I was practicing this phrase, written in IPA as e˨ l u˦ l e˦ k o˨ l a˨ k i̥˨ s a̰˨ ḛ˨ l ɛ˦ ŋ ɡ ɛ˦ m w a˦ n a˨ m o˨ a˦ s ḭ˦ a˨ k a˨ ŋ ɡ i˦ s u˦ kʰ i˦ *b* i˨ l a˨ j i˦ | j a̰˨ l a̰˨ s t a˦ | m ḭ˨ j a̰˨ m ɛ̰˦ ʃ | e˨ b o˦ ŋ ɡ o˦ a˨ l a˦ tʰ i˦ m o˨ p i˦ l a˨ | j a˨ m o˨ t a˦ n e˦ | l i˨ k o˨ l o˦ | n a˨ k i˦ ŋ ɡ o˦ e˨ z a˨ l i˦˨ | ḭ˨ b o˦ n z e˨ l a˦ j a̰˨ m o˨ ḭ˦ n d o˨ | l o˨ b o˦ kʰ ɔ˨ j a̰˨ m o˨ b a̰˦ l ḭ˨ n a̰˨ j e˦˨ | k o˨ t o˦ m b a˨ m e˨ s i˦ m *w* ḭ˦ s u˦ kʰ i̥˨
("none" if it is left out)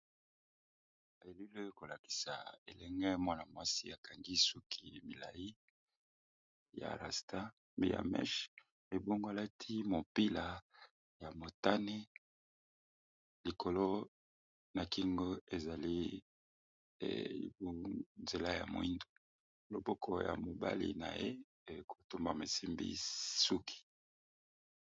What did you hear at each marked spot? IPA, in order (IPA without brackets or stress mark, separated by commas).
m, b